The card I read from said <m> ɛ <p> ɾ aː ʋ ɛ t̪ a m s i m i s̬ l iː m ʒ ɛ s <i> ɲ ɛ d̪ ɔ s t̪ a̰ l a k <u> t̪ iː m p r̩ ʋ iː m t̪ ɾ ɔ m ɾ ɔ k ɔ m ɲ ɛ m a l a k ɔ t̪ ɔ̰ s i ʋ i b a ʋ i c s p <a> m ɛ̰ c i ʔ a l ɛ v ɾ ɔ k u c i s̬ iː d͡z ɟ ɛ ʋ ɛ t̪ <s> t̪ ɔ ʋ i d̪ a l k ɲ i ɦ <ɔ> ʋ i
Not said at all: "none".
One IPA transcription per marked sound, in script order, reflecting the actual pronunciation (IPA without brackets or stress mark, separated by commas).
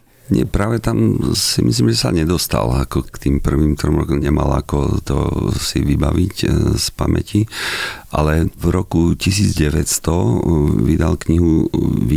ɲ, p, a, ɔ, a, s, u